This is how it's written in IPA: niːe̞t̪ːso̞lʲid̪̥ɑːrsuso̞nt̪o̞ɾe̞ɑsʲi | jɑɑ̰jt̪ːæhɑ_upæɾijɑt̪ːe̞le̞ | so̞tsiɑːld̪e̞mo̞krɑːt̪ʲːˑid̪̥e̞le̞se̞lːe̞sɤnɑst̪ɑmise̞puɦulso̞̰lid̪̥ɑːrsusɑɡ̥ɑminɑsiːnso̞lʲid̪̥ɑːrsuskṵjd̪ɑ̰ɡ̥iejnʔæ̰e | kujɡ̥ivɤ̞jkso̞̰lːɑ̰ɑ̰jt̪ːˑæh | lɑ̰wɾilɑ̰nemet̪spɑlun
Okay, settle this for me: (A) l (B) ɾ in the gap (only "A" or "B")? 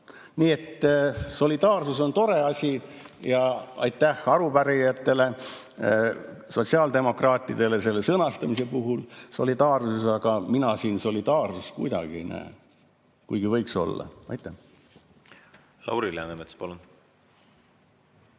B